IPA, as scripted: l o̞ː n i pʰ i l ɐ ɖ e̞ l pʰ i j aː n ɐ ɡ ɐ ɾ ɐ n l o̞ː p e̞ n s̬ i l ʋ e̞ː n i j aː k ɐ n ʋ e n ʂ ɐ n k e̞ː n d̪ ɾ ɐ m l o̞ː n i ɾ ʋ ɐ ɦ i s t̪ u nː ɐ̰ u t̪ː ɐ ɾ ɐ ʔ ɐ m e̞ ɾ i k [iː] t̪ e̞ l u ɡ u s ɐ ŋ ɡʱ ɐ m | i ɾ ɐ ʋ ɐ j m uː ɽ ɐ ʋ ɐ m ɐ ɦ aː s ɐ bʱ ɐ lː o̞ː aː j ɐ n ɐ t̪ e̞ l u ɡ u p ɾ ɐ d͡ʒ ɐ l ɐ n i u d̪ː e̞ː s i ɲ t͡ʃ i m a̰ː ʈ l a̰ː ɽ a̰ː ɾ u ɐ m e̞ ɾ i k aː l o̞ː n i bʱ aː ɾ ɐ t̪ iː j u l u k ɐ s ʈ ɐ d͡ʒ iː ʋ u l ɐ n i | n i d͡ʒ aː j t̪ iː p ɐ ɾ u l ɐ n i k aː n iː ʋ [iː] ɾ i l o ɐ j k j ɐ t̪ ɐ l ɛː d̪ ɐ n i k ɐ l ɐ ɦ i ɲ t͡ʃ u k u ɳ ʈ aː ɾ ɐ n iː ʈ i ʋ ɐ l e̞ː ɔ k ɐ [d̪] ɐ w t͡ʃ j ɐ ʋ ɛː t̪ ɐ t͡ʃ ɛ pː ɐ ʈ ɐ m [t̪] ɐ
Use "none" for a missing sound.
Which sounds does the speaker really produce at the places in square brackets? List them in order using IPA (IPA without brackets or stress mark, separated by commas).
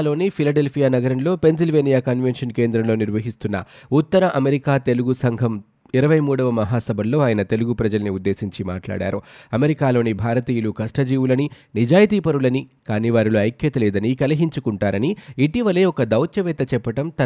aː, aː, d̪, t̪